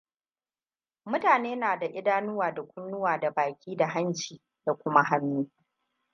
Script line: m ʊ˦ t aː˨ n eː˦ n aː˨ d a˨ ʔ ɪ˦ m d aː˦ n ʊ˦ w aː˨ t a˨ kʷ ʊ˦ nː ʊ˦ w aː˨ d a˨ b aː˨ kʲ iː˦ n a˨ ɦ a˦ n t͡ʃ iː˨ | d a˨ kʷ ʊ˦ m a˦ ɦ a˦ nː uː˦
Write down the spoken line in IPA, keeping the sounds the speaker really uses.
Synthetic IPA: m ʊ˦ t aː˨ n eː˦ n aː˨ d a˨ ʔ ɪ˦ d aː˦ n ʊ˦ w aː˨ d a˨ kʷ ʊ˦ nː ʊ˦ w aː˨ d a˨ b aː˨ kʲ iː˦ d a˨ ɦ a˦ n t͡ʃ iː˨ | d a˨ kʷ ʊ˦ m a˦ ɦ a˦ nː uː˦